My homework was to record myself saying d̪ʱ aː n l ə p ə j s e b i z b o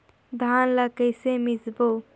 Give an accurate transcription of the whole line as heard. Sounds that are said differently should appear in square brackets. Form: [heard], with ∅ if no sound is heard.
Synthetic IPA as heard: d̪ʱ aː n l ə [k] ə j s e [m] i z b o